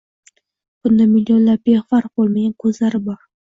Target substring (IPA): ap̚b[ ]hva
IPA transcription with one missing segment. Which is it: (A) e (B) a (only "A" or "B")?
A